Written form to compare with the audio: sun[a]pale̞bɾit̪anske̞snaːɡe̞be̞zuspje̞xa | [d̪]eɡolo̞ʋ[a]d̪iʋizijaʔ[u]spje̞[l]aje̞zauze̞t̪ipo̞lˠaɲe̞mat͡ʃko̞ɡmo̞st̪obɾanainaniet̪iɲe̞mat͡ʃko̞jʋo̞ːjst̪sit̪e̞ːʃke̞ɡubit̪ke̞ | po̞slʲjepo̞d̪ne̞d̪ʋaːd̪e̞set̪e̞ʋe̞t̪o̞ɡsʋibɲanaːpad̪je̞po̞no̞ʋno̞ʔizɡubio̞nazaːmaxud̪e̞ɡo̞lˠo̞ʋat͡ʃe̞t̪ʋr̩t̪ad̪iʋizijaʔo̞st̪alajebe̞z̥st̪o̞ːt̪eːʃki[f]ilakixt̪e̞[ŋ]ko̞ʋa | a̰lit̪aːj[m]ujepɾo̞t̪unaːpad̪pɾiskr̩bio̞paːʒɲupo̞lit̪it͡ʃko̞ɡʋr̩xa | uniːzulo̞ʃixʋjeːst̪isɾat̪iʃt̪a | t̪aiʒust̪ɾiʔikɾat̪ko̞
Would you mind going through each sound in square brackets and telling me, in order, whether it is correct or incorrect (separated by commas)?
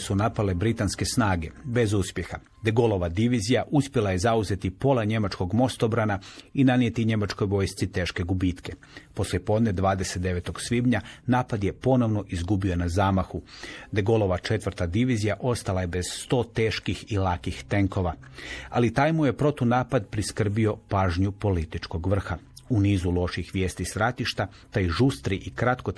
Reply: correct, correct, correct, correct, correct, incorrect, correct, correct